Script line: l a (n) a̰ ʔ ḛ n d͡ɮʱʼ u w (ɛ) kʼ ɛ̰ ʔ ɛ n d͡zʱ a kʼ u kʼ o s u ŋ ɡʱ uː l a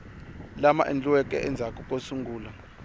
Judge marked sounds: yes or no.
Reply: no, yes

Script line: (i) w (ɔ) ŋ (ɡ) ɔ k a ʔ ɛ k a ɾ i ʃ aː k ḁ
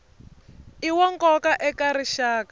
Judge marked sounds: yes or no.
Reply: yes, yes, no

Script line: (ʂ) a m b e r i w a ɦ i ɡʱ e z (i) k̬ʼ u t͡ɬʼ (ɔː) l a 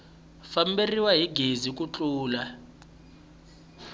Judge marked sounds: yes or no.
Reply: no, yes, no

